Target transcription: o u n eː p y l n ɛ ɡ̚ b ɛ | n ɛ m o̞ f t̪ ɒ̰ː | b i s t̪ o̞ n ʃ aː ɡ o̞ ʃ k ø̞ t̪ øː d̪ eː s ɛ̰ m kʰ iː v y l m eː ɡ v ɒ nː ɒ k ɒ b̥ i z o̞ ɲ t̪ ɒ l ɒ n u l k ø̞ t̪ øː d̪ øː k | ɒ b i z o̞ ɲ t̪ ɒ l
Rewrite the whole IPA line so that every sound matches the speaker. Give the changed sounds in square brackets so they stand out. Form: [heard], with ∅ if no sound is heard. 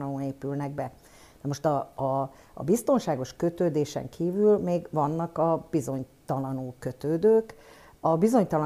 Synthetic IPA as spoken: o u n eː p y l n ɛ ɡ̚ b ɛ | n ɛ m o̞ [ʃ] t̪ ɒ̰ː | b i s t̪ o̞ n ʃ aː ɡ o̞ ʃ k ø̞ t̪ øː d̪ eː [ʃ] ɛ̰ [ŋ] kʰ iː v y l m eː ɡ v ɒ nː ɒ k ɒ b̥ i z o̞ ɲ t̪ ɒ l ɒ n u l k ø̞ t̪ øː d̪ øː k | ɒ b i z o̞ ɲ t̪ ɒ l